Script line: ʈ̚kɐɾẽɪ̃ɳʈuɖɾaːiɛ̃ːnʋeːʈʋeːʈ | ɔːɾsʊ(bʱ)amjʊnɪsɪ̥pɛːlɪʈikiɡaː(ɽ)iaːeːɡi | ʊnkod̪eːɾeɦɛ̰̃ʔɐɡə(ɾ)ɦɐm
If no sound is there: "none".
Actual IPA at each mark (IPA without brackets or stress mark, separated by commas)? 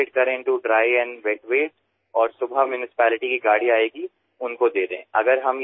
bʱ, ɽ, ɾ